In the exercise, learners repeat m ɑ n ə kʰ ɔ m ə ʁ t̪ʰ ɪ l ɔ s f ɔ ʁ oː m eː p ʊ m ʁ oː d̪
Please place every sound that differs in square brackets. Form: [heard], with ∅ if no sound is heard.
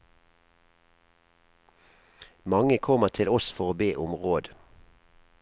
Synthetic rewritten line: m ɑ [ŋ] ə kʰ ɔ m ə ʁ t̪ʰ ɪ l ɔ s f ɔ ʁ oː [b] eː [ʔ] ʊ m ʁ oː d̪